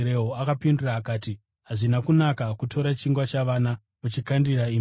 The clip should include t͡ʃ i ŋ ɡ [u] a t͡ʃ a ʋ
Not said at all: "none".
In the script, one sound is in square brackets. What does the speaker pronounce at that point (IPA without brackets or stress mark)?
w